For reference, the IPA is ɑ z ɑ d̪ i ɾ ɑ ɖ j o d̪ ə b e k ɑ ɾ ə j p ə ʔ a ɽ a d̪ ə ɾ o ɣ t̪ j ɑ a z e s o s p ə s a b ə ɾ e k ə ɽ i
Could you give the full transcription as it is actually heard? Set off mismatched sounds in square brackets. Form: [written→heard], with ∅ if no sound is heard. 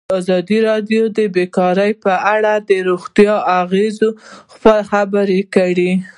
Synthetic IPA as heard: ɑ z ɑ d̪ i ɾ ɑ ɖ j o d̪ ə b e k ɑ ɾ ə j p ə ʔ a ɽ a d̪ ə ɾ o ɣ t̪ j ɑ a [z→ɣ] e [s→z] o [s→x] p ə [s→x] a b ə ɾ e k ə ɽ i